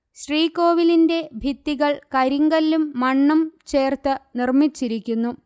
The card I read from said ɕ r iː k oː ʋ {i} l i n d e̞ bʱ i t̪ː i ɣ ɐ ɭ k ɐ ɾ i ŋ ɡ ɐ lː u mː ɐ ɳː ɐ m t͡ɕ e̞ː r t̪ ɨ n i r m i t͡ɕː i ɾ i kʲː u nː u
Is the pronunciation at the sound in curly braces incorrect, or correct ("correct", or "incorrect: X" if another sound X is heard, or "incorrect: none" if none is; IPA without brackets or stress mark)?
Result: correct